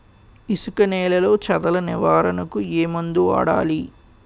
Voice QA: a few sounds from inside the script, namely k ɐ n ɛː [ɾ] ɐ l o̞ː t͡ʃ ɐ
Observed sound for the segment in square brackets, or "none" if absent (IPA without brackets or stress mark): l